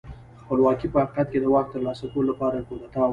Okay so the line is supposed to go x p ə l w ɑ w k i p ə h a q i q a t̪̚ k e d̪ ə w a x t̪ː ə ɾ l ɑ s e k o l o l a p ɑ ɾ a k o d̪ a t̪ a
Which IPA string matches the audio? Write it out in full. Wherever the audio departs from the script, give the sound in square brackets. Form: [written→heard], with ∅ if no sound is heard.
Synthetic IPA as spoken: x p ə l w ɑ [w→∅] k i p ə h a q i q a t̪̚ k e d̪ ə w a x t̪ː ə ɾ l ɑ s [e→a] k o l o l a p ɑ ɾ a k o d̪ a t̪ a